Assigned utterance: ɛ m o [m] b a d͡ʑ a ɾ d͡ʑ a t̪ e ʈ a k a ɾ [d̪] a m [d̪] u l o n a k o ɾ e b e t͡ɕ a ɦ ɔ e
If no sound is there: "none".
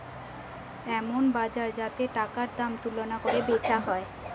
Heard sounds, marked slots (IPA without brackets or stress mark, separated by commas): n, d̪, t̪